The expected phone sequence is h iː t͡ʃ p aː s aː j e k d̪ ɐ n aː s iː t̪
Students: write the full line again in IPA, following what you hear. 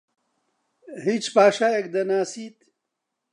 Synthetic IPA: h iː t͡ʃ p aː ʃ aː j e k d̪ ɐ n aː s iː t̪